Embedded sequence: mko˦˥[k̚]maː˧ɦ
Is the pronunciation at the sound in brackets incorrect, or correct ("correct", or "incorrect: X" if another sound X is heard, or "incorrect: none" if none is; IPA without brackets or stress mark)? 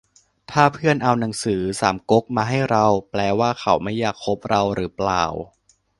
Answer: correct